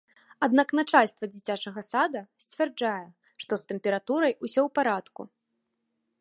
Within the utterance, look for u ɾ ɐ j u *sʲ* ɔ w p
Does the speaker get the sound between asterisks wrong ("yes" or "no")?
no